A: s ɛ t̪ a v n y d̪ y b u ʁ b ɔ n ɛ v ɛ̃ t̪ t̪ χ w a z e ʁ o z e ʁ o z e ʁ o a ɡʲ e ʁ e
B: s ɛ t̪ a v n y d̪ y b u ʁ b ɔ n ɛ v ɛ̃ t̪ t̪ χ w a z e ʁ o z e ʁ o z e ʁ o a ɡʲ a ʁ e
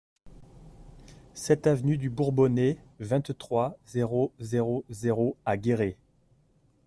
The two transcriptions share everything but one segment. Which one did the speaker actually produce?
A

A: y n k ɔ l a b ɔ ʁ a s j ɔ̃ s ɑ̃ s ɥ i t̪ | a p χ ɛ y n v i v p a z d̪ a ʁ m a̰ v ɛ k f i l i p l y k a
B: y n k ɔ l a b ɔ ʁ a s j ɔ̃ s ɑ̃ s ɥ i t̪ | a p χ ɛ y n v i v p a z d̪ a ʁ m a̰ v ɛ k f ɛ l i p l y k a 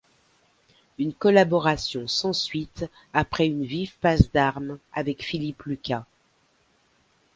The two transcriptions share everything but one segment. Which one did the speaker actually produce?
A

